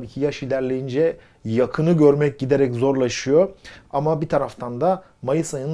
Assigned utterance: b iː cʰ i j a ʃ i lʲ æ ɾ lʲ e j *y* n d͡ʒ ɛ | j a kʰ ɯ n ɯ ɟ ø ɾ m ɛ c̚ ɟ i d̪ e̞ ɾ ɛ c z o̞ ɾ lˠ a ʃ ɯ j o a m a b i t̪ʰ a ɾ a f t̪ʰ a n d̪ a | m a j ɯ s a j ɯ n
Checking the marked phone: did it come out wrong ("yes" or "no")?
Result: yes